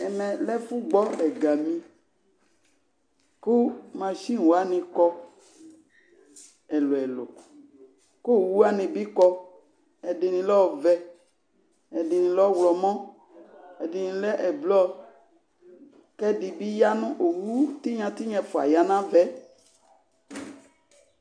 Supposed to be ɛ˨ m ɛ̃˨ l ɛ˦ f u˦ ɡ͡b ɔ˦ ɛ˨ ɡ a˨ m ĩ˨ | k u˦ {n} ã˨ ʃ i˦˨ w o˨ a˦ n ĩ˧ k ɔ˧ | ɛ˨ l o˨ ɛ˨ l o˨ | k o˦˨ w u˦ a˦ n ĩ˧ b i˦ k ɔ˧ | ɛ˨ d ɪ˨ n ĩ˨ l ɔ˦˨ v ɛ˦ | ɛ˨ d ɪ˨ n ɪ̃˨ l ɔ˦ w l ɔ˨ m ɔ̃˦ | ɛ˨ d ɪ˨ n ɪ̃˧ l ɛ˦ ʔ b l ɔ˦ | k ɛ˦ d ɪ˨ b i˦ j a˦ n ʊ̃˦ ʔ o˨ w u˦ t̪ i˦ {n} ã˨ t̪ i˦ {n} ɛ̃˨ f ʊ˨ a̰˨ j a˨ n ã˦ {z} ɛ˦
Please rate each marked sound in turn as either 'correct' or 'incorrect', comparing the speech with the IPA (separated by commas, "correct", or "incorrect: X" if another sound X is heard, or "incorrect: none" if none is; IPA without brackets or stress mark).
incorrect: m, incorrect: ɲ, incorrect: ɲ, incorrect: v